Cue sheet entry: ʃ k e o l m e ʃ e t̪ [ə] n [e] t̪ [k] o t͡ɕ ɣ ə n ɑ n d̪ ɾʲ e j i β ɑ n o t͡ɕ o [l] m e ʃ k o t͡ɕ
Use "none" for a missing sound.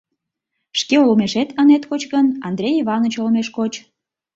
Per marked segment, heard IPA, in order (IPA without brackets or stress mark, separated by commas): ə, e, k, l